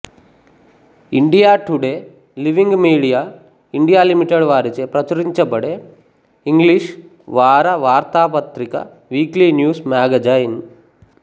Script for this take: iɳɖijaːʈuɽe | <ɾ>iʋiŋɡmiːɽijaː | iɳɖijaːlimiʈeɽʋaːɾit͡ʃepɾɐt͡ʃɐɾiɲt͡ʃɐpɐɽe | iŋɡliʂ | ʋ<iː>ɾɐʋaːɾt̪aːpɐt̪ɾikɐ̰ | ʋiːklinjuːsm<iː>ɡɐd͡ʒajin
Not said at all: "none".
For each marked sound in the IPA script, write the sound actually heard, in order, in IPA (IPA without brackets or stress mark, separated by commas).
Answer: l, aː, aː